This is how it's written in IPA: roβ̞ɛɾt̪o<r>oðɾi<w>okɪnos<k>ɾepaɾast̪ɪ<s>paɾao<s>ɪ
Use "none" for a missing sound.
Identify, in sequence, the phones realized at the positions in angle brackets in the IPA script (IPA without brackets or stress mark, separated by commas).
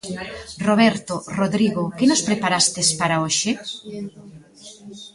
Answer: r, ɣ, p, s, ʃ